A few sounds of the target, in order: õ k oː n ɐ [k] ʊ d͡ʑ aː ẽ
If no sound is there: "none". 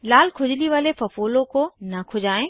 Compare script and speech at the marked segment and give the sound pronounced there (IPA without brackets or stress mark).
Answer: kʰ